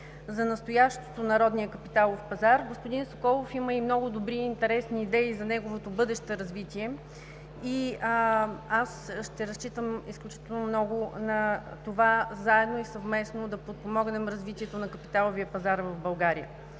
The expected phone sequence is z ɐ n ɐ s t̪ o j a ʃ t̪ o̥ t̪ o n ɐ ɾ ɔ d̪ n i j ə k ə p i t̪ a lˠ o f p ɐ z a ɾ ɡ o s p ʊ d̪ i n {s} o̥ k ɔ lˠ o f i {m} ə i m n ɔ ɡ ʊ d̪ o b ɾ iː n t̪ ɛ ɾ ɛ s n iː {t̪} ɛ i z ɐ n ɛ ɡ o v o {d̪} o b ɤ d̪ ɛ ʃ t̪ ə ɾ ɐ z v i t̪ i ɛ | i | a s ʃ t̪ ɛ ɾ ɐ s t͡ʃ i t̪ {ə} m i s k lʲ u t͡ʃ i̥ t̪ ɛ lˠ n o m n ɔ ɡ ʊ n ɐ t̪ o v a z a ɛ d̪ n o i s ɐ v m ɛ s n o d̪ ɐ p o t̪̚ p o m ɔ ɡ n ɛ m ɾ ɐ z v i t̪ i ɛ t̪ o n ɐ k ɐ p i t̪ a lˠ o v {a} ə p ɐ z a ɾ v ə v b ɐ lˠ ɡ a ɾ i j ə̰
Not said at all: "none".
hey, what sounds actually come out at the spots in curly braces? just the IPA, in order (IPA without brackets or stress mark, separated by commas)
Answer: s, m, d̪, t̪, ə, i